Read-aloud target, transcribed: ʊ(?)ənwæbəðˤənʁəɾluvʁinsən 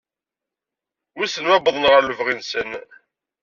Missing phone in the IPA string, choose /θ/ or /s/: s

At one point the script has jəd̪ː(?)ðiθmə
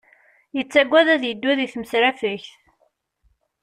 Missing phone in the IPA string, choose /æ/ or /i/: æ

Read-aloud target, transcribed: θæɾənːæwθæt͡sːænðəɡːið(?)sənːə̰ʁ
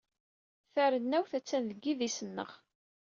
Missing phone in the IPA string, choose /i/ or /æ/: i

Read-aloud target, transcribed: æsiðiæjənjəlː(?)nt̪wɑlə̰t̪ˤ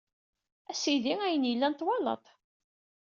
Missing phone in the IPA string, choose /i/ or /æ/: æ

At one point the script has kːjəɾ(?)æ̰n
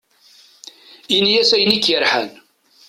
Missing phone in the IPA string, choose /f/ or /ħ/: ħ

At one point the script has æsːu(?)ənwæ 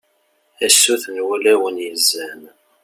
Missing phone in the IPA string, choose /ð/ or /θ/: θ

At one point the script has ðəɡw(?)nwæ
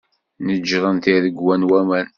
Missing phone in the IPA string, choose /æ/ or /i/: æ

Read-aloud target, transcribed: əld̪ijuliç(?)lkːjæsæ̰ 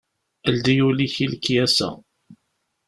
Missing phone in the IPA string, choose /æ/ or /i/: i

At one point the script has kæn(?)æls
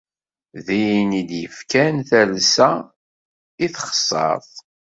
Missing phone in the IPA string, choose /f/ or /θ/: θ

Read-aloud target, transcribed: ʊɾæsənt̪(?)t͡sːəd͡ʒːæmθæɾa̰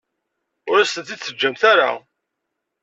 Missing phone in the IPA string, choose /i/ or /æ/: i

